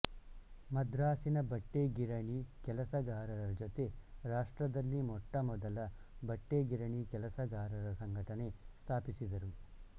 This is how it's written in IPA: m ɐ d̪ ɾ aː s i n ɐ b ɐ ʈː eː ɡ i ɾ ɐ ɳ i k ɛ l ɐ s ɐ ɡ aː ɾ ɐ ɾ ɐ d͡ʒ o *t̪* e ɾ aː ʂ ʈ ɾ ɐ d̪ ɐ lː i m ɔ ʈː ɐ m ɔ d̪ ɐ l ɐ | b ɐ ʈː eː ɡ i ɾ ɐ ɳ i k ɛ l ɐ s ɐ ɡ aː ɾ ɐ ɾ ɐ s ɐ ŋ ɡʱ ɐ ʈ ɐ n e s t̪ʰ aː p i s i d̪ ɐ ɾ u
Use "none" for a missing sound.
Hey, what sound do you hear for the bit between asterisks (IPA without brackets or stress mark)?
t̪